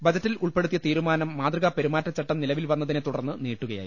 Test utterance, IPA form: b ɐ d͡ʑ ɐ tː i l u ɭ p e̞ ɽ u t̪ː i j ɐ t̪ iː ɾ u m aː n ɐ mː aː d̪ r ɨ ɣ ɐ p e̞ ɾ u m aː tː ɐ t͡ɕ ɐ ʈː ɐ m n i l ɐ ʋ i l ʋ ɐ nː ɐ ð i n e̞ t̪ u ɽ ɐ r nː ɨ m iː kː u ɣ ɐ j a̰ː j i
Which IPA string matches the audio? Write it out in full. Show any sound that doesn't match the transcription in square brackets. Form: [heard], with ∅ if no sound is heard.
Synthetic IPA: b ɐ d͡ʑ ɐ tː i l u ɭ p e̞ ɽ u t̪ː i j ɐ t̪ iː ɾ u m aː n ɐ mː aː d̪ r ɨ ɣ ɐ p e̞ ɾ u m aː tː ɐ t͡ɕ ɐ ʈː ɐ m n i l ɐ ʋ i l ʋ ɐ nː ɐ ð i n e̞ t̪ u ɽ ɐ r nː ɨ [n] iː [ʈː] u ɣ ɐ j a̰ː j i